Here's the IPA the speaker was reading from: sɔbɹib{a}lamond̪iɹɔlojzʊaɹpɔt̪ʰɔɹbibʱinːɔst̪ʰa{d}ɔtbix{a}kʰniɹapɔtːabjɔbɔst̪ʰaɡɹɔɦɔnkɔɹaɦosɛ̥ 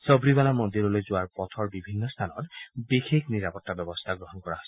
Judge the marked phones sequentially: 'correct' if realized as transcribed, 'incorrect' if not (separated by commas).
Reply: correct, incorrect, incorrect